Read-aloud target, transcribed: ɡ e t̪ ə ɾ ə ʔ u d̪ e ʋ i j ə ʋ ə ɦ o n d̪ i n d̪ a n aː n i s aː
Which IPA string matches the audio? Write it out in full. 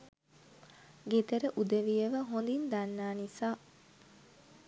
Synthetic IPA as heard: ɡ e t̪ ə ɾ ə ʔ u d̪ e ʋ i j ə ʋ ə ɦ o n d̪ i n d̪ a nː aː n i s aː